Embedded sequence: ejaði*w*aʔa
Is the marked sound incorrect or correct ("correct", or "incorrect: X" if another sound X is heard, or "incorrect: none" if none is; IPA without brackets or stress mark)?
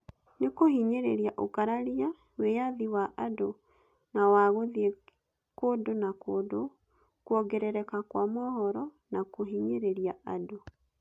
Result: correct